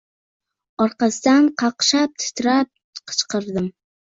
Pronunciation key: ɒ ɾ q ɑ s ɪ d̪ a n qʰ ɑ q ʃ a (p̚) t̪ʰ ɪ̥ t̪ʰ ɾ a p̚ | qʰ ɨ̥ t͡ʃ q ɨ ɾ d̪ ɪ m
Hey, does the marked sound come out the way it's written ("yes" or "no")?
yes